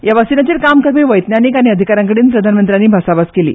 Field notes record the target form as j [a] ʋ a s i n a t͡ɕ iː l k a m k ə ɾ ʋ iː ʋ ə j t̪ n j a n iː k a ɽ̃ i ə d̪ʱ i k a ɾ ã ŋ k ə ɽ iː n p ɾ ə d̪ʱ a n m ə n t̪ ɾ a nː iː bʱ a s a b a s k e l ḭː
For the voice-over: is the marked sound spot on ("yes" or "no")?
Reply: yes